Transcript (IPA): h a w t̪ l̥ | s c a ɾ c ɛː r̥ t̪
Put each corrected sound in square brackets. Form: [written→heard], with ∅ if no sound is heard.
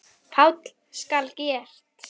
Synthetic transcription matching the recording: [h→f] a w t̪ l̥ | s [c→k] a [ɾ→l] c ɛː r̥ t̪